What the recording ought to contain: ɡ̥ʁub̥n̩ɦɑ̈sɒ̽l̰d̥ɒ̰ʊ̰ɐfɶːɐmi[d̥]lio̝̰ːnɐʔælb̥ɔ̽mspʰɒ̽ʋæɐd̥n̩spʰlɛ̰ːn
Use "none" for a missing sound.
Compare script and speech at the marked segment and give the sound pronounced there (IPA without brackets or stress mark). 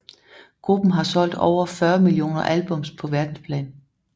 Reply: none